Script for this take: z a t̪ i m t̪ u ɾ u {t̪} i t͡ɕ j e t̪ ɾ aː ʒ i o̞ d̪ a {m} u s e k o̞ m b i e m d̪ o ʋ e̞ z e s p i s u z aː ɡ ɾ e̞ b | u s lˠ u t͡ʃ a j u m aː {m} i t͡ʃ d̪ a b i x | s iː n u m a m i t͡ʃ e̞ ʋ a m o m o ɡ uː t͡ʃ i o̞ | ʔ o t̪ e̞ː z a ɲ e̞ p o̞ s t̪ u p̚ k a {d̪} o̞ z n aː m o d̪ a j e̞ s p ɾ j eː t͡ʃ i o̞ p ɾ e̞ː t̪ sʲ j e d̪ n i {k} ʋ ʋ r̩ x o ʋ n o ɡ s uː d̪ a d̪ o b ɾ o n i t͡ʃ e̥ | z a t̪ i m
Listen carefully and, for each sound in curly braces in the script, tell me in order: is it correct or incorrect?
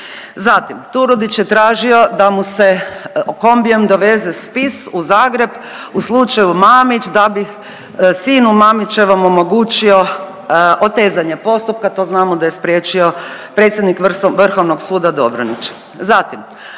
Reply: incorrect: d̪, correct, correct, incorrect: t̪, correct

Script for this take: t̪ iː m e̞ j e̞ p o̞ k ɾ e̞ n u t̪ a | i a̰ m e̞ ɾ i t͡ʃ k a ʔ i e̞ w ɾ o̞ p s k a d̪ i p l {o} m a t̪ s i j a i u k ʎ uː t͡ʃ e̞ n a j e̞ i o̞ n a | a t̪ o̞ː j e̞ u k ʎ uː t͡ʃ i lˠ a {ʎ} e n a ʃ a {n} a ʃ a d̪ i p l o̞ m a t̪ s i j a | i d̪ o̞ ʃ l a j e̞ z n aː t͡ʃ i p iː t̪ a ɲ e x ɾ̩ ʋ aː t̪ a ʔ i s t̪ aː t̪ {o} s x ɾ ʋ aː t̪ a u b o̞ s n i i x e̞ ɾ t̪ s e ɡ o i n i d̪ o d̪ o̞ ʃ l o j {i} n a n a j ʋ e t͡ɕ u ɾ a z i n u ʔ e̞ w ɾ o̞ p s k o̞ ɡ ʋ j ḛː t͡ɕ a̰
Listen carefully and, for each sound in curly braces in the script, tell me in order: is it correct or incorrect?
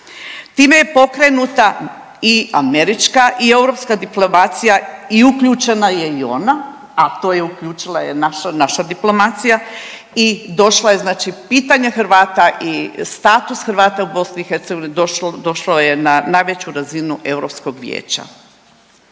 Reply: correct, incorrect: j, correct, incorrect: u, incorrect: e

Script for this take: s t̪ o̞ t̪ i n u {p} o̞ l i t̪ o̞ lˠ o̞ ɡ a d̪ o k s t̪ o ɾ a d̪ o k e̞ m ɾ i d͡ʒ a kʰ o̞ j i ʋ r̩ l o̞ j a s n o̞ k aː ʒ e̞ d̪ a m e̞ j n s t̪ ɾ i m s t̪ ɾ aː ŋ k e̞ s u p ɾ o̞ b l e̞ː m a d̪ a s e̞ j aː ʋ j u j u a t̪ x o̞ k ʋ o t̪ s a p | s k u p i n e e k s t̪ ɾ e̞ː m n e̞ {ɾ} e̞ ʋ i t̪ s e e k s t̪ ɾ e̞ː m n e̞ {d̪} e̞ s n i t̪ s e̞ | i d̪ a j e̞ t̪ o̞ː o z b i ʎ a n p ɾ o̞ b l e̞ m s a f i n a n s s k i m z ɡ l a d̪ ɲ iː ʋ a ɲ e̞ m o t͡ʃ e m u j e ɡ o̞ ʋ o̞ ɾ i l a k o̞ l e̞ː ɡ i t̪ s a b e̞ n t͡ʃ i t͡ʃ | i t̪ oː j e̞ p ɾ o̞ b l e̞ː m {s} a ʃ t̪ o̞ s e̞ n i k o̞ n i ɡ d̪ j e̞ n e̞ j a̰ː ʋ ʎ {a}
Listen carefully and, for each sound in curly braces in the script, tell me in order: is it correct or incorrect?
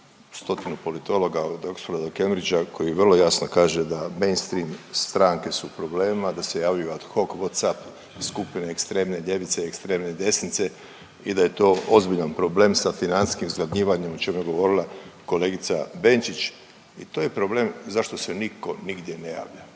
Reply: correct, incorrect: ʎ, correct, incorrect: z, correct

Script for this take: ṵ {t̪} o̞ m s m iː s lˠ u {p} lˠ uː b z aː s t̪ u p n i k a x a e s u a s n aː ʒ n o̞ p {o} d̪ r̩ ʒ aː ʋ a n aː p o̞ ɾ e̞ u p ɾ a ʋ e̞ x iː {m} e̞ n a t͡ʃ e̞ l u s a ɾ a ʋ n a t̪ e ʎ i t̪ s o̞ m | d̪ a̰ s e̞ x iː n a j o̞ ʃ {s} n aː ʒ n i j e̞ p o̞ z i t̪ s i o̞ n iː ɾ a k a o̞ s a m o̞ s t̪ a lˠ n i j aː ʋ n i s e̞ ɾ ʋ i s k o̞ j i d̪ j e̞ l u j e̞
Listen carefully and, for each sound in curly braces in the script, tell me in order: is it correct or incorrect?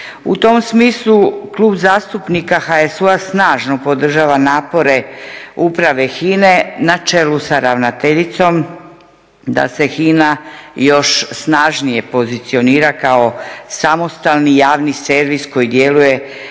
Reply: correct, incorrect: k, correct, incorrect: n, correct

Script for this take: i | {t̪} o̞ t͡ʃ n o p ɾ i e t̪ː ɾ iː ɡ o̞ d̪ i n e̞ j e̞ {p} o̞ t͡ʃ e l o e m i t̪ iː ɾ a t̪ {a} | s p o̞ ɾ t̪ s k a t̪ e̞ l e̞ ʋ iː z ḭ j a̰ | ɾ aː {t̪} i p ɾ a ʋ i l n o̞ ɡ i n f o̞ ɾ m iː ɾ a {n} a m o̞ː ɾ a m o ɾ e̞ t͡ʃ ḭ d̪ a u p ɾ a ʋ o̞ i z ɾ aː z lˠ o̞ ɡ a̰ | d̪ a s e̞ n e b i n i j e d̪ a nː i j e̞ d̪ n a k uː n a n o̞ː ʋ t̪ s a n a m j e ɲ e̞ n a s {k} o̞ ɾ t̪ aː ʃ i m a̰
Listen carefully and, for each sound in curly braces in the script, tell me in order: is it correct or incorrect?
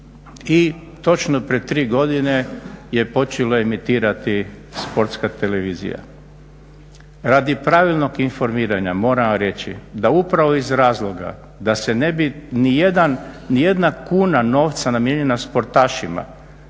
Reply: correct, correct, incorrect: i, incorrect: d̪, incorrect: ɲ, incorrect: p

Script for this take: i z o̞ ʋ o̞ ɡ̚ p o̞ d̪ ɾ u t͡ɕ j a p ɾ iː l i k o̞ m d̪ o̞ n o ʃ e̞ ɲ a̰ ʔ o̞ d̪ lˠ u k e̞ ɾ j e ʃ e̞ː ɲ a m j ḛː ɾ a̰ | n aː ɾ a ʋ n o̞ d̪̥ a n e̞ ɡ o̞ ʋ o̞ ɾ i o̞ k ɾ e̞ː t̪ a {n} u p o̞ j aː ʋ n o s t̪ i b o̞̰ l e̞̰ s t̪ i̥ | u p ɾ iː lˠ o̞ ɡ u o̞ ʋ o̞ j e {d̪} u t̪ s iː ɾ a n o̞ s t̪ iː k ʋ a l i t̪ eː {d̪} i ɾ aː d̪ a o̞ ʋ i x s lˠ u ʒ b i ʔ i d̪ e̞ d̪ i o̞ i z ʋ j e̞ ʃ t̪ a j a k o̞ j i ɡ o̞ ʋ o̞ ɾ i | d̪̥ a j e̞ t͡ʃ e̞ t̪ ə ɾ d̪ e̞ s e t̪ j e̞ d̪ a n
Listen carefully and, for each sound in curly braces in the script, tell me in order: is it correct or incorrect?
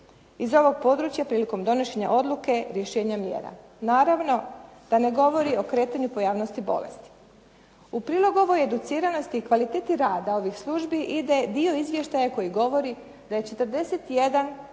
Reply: incorrect: ɲ, correct, incorrect: t̪

